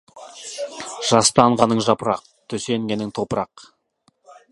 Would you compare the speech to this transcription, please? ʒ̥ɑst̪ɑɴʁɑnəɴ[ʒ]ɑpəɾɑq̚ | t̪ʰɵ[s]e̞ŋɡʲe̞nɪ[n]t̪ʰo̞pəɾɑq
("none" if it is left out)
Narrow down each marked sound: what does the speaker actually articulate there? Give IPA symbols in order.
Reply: ʒ, s, ŋ

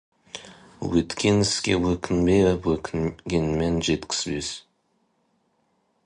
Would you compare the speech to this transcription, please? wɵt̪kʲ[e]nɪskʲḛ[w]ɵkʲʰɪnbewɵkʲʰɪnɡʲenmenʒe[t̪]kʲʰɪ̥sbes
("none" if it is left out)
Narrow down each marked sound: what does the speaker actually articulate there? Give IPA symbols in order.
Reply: e, w, t̪

